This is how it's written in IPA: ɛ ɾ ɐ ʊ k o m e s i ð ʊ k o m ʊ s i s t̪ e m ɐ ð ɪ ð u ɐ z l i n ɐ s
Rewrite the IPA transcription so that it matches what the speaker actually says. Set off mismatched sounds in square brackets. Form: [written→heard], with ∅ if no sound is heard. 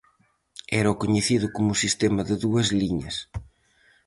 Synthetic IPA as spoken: ɛ ɾ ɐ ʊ k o [m→ɲ] e [s→θ] i ð ʊ k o m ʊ s i s t̪ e m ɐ ð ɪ ð u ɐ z l i [n→ɲ] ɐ s